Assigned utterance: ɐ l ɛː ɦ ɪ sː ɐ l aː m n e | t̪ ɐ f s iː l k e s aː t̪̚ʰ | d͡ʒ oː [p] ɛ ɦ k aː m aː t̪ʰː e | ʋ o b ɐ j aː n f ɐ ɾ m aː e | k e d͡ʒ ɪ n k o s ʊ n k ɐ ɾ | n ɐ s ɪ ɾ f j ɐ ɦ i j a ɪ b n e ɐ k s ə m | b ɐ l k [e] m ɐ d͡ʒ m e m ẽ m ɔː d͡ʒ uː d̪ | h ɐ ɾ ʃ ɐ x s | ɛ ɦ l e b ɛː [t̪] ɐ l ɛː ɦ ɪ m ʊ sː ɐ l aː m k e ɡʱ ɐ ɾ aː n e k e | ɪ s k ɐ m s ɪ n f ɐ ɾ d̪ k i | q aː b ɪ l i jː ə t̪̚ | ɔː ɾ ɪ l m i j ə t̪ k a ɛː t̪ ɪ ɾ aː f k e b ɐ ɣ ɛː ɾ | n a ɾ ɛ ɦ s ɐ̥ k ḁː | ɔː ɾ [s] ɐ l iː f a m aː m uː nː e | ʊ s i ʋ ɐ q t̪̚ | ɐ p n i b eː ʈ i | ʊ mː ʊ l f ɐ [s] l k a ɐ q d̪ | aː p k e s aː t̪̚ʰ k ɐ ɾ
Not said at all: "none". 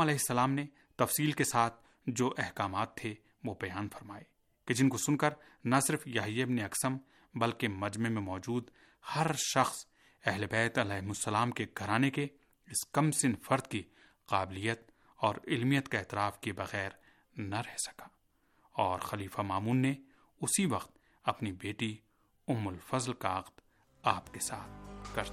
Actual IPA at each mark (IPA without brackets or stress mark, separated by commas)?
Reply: ʔ, e, t̪, x, z